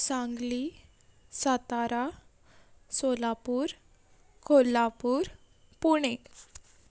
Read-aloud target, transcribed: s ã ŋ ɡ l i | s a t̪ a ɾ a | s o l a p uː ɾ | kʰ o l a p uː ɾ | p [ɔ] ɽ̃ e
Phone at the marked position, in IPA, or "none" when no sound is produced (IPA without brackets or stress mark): u